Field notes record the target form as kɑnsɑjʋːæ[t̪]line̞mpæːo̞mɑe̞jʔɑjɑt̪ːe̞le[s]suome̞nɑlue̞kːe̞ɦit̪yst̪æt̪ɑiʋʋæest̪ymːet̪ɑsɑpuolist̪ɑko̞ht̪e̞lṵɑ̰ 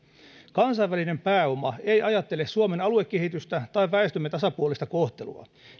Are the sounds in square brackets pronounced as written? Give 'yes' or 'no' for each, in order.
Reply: no, yes

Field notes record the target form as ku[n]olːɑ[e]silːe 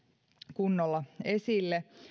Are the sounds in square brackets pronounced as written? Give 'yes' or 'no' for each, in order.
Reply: no, yes

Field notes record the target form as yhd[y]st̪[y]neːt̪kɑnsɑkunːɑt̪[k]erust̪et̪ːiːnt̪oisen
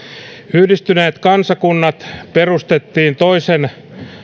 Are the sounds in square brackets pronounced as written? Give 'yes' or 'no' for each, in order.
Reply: no, yes, no

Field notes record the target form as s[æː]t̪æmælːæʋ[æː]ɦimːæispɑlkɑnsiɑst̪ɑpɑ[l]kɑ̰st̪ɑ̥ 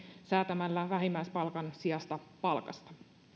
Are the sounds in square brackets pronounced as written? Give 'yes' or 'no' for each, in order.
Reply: yes, no, yes

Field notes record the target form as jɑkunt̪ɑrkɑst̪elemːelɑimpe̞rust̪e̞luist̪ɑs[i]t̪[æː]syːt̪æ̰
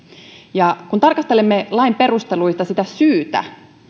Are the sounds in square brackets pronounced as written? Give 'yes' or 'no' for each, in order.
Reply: yes, no

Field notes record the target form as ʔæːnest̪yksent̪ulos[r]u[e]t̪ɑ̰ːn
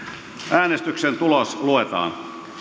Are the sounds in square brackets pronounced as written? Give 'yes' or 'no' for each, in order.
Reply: no, yes

